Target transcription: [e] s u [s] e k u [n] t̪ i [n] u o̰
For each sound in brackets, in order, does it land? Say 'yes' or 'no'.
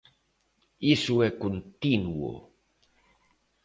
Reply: no, no, yes, yes

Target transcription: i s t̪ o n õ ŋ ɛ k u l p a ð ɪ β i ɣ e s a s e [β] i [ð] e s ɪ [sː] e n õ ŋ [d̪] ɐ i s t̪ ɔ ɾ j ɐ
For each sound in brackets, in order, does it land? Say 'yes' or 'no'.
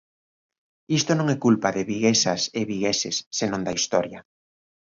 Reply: yes, no, yes, yes

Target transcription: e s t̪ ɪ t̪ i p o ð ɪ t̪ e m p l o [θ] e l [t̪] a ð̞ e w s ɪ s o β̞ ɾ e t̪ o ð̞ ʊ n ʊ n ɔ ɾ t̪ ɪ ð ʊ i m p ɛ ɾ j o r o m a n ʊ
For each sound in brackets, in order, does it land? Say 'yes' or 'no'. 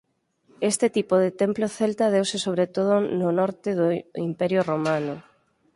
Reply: yes, yes

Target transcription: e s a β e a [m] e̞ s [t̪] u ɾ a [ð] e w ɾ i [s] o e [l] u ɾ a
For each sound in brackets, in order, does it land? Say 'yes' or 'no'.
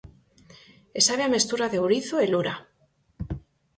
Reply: yes, yes, yes, no, yes

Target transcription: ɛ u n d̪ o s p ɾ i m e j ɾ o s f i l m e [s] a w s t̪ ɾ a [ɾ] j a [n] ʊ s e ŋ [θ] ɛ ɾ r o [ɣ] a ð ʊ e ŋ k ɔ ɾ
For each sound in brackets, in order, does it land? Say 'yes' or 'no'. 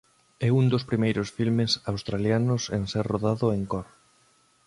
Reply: yes, no, yes, no, no

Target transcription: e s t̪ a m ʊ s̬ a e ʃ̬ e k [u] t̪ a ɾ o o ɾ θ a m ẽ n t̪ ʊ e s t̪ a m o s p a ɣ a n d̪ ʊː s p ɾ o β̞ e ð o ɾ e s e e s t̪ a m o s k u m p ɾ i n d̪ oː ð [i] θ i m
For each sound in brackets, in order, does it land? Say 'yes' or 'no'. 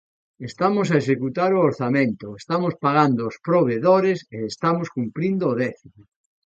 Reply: yes, no

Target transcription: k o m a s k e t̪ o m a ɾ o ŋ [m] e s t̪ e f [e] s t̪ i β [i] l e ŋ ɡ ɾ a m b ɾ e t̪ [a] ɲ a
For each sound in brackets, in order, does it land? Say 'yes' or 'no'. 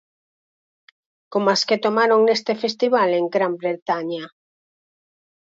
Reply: no, yes, no, yes

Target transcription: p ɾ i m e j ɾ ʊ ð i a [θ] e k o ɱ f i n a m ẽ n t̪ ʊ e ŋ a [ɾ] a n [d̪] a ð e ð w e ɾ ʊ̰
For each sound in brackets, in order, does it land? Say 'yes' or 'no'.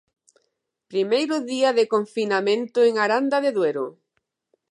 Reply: no, yes, yes

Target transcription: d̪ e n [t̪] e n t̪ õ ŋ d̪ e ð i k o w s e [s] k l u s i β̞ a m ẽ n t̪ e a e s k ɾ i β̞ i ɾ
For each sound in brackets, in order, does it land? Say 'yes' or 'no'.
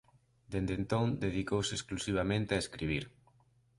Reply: no, yes

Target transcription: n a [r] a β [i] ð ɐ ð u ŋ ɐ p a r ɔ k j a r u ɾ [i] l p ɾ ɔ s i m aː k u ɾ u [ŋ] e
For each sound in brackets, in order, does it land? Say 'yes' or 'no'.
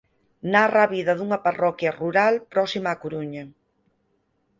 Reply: yes, yes, no, no

